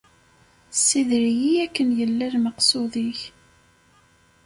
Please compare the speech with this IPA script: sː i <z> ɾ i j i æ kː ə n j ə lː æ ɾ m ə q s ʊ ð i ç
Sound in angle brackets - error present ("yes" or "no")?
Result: yes